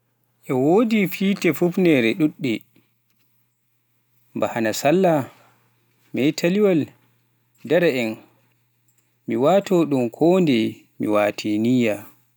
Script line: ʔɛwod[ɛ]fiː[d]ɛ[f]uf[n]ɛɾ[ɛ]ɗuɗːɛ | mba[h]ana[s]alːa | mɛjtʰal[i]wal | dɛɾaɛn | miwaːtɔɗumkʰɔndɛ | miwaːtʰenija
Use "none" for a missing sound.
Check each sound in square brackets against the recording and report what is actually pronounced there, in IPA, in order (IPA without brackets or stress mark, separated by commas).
i, t, f, n, ɛ, h, s, i